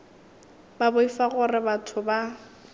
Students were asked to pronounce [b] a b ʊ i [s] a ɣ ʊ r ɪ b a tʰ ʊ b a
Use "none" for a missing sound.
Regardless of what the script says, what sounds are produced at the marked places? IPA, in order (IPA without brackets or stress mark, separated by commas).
b, f